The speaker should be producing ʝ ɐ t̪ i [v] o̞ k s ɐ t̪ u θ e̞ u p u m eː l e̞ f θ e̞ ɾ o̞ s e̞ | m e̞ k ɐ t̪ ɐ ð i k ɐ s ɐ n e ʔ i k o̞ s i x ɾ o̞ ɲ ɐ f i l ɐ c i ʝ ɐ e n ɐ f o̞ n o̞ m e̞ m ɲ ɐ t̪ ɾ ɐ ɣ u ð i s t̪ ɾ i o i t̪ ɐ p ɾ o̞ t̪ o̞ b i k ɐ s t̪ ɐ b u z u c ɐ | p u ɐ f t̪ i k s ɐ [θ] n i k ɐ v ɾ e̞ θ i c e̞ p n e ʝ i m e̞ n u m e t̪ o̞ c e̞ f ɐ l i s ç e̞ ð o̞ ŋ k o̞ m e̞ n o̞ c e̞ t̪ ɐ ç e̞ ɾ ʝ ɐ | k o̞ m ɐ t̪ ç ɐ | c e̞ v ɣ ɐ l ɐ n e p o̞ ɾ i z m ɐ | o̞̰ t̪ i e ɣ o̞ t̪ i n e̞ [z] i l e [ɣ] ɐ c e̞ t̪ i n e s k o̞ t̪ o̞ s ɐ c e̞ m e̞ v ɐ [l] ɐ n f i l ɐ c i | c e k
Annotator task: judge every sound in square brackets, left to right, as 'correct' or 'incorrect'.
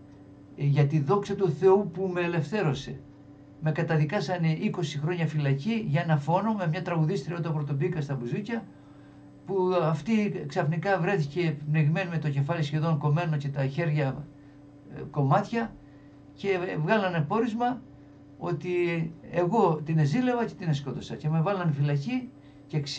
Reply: incorrect: ð, incorrect: f, correct, incorrect: v, correct

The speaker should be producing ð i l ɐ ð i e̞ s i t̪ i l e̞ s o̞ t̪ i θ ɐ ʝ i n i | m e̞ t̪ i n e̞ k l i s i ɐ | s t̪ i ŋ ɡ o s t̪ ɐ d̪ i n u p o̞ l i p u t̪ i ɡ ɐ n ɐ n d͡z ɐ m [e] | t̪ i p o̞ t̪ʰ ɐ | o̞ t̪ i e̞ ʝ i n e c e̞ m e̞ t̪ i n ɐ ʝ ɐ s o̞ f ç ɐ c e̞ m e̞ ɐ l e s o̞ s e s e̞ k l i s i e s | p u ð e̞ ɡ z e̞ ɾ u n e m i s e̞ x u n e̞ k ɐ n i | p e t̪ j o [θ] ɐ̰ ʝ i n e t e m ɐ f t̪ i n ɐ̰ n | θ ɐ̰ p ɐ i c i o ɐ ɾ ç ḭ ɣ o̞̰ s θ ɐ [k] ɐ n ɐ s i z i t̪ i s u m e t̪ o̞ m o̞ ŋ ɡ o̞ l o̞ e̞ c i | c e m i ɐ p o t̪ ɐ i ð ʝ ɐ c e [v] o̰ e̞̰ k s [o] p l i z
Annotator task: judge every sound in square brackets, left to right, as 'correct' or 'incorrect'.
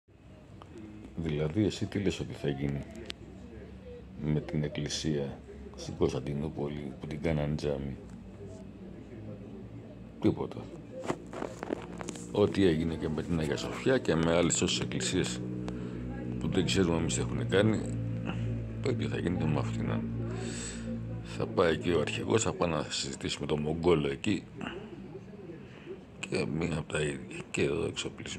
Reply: incorrect: i, correct, incorrect: p, incorrect: ð, correct

